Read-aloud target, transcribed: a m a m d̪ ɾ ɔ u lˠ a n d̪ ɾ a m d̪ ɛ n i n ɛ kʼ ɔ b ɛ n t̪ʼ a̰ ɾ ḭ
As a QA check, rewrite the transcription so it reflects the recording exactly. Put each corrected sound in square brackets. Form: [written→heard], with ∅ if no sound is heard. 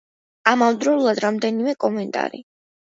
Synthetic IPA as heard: a m a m d̪ ɾ ɔ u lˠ a [n→∅] d̪ ɾ a m d̪ ɛ n i [n→m] ɛ kʼ ɔ [b→m] ɛ n t̪ʼ a̰ ɾ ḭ